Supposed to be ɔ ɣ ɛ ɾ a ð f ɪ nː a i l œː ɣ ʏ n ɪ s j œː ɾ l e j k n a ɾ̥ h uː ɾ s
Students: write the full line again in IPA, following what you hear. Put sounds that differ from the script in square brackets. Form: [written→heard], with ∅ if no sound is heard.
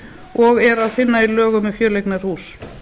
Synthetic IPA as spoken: ɔ ɣ ɛ ɾ a ð f ɪ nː a i l œː ɣ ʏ [n→m] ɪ [s→f] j œː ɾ l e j k n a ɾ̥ h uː [ɾ→∅] s